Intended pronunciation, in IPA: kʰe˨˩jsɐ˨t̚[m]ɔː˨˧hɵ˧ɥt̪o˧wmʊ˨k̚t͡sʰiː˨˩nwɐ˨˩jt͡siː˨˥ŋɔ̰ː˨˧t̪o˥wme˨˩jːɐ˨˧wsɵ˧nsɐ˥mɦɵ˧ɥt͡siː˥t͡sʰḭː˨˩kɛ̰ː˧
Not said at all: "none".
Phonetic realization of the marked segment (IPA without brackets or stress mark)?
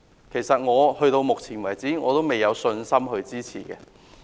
ŋ